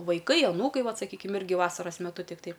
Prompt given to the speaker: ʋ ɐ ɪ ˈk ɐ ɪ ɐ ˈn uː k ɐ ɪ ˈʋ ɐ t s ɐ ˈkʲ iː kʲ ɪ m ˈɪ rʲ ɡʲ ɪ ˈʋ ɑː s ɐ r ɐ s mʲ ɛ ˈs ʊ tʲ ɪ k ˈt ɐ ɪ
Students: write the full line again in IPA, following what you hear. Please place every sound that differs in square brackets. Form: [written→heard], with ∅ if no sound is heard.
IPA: ʋ ɐ ɪ ˈk ɐ ɪ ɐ ˈn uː k ɐ ɪ ˈʋ ɐ t s ɐ ˈkʲ iː kʲ ɪ m ˈɪ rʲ ɡʲ ɪ ˈʋ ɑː s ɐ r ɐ s mʲ ɛ [ˈs→ˈt] ʊ tʲ ɪ k ˈt ɐ ɪ